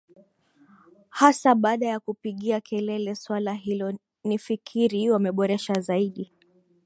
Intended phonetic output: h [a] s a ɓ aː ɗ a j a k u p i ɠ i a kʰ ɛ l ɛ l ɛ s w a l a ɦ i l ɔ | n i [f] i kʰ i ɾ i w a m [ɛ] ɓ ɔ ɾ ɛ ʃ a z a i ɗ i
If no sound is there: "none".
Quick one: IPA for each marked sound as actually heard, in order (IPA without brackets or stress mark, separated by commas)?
a, f, ɛ